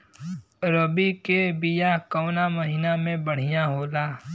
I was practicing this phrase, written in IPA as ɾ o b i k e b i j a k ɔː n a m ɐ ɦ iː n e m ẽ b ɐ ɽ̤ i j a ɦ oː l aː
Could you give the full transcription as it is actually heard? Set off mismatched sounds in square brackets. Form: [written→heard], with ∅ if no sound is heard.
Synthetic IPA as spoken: ɾ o b i k e b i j a k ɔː n a m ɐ ɦ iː n [e→a] m ẽ b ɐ ɽ̤ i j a ɦ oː l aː